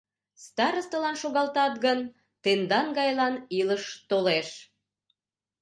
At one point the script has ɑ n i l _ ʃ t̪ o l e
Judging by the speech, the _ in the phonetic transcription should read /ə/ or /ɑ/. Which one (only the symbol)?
ə